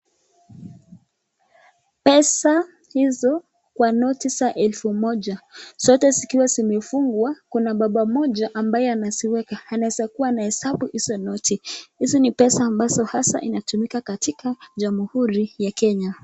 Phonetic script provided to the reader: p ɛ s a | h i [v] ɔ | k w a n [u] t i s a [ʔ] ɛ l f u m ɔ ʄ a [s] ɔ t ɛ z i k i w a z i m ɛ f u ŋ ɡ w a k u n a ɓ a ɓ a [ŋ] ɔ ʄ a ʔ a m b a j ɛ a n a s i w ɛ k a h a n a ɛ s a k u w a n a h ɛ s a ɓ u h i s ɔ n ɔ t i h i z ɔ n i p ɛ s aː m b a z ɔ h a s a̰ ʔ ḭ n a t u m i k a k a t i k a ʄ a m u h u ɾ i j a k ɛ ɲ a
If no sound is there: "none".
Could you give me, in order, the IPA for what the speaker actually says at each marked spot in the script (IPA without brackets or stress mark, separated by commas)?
z, ɔ, ʔ, s, m